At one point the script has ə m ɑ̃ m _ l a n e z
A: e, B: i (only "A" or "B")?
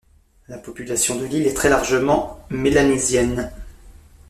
A